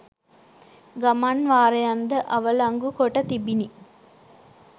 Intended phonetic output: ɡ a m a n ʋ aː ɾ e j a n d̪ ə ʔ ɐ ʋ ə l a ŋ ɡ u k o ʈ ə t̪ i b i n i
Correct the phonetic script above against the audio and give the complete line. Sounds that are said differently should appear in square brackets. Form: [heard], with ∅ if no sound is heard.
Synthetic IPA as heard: ɡ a m a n ʋ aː ɾ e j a n d̪ ə ʔ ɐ ʋ ə l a ŋ ɡ u k o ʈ ə t̪ i b i n i